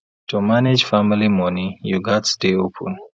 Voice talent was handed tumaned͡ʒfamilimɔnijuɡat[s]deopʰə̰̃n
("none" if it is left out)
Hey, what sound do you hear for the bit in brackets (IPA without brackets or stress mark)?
s